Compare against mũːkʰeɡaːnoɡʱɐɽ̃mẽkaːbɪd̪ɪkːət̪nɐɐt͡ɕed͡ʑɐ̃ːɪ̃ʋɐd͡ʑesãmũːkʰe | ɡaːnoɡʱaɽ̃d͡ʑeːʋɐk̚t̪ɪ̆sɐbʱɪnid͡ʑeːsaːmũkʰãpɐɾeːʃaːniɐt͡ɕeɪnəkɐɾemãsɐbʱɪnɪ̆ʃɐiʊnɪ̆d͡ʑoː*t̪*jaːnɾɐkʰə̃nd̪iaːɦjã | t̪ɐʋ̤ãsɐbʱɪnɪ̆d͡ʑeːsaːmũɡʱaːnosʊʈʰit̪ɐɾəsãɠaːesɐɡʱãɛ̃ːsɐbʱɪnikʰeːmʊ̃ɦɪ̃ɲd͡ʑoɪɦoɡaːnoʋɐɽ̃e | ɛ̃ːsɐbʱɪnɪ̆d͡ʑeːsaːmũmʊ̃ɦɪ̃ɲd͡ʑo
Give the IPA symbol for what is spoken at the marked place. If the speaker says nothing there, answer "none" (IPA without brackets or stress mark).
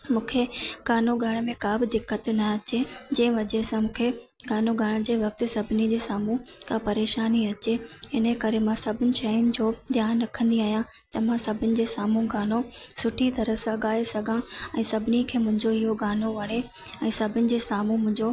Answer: d̪